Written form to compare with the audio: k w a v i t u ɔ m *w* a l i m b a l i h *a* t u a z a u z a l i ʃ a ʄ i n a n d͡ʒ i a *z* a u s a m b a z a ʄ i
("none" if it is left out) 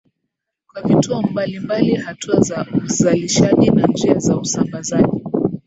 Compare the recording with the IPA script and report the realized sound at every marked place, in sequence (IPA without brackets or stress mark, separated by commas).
b, a, z